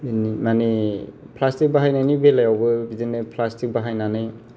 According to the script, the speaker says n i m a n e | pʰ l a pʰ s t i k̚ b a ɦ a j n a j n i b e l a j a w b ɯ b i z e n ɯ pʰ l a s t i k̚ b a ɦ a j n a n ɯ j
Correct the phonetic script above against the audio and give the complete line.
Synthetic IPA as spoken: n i m a n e | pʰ l a s t i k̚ b a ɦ a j n a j n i b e l a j a w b ɯ b i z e n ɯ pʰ l a s t i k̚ b a ɦ a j n a n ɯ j